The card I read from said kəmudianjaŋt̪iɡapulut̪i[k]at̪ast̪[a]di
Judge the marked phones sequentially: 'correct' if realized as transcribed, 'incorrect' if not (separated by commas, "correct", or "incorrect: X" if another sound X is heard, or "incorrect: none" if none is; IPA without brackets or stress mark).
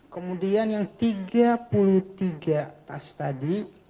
incorrect: ɡ, correct